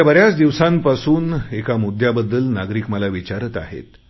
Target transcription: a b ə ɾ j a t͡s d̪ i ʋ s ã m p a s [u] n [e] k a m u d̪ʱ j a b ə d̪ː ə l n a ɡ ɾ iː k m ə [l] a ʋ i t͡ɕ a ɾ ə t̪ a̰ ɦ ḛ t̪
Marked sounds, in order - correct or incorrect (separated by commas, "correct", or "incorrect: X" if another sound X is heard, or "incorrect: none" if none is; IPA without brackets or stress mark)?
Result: incorrect: uː, correct, correct